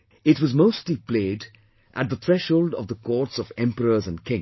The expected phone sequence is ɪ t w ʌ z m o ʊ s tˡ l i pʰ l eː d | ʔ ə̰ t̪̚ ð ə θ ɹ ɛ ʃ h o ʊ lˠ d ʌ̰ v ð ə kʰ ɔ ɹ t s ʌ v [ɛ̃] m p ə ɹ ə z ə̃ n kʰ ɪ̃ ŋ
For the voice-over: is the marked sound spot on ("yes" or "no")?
yes